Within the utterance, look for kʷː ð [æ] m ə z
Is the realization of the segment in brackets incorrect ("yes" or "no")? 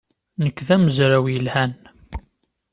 no